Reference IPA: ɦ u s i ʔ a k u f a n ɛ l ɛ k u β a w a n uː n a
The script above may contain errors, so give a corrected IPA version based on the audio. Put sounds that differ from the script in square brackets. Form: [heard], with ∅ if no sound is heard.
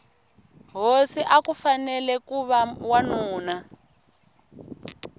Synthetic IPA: ɦ [o] s i ʔ a k u f a n ɛ l ɛ k u β a w a n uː n a